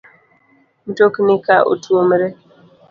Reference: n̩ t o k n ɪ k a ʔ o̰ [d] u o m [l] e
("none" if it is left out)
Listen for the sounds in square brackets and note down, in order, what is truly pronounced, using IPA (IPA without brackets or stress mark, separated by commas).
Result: t, ɾ